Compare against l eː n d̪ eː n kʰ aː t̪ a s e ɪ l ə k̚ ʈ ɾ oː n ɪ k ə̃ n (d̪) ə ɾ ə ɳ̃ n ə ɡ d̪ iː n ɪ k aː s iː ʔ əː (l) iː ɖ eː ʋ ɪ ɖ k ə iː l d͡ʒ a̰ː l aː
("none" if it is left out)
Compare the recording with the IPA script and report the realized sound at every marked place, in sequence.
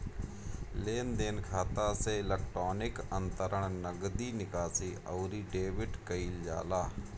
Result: t̪, ɾ

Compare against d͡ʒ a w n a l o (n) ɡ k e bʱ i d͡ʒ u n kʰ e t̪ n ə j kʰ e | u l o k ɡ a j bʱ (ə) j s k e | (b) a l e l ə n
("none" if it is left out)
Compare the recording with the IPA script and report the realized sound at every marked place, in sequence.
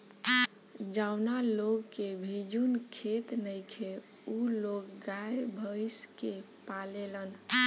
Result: none, ə, p

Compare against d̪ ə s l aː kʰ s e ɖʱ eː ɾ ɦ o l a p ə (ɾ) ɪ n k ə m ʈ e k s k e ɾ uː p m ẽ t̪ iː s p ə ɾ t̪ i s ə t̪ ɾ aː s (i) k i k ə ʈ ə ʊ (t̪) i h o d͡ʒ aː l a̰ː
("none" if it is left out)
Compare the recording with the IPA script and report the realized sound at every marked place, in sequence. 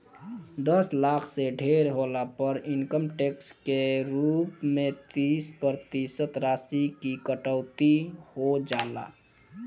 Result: ɾ, i, t̪

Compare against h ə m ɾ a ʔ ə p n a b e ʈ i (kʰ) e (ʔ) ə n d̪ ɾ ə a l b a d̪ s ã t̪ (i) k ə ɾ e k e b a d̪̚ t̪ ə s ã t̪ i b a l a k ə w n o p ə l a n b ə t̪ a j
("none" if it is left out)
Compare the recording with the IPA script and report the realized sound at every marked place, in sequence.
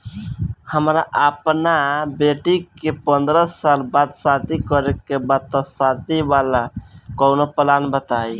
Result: k, p, i

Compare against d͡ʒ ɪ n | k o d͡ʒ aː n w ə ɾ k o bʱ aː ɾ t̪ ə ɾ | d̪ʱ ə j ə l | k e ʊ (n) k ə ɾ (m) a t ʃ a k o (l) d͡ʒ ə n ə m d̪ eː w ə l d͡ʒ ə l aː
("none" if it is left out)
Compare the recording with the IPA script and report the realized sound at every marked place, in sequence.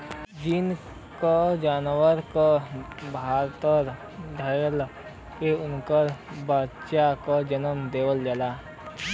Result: n, b, none

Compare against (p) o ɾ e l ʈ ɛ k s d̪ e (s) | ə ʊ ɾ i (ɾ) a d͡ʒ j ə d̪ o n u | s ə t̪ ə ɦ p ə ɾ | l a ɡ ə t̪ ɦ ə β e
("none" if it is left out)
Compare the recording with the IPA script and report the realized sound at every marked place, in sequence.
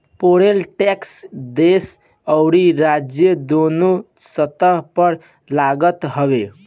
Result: p, s, ɾ

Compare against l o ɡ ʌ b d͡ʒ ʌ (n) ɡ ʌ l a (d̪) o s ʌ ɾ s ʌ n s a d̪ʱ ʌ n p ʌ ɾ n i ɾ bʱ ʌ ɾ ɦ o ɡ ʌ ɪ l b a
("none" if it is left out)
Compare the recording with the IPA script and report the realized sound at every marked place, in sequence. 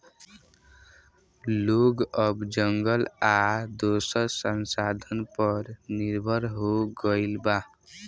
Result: ŋ, d̪

